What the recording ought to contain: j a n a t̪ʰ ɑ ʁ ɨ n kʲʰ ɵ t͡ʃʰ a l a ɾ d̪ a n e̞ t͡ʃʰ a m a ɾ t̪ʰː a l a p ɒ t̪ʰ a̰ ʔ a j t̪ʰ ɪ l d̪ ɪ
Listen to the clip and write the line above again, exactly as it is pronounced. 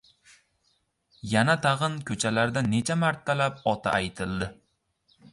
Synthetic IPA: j a n a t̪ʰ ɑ ʁ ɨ n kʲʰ ɵ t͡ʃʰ a l a ɾ d̪ a n e̞ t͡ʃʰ a m a ɾ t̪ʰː a l a p ɒ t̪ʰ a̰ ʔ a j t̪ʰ ɪ l d̪ ɪ